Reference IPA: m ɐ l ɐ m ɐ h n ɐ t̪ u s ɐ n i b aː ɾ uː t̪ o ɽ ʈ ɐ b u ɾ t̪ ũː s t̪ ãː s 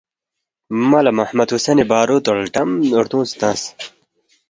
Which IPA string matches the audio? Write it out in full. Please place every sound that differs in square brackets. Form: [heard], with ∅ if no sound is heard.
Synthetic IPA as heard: m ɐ l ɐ m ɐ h [m] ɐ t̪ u s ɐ n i b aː ɾ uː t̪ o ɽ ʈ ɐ [m] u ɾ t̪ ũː s t̪ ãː s